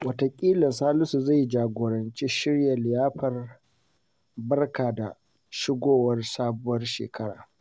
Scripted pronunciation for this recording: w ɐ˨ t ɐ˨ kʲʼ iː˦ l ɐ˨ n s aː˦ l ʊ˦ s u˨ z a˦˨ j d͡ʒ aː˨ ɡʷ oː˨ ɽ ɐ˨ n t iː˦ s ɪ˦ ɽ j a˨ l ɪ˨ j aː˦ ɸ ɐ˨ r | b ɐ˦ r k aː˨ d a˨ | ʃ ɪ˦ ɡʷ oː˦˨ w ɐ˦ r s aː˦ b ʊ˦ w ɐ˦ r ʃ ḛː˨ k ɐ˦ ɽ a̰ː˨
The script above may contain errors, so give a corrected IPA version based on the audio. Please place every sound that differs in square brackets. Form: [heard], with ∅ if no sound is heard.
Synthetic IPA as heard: w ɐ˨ t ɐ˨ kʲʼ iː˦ l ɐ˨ n s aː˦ l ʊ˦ s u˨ z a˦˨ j d͡ʒ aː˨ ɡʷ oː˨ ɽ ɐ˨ n [t͡ʃ] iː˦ [ʃ] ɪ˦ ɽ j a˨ l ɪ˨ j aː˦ ɸ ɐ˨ r | b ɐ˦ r k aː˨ d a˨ | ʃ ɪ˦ ɡʷ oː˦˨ w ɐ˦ r s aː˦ b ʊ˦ w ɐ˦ r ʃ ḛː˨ k ɐ˦ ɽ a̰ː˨